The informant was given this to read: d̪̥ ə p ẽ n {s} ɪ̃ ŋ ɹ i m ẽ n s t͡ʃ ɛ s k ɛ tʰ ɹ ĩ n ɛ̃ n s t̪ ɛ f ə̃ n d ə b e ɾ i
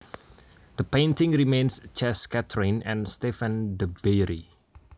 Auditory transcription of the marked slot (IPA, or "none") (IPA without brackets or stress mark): t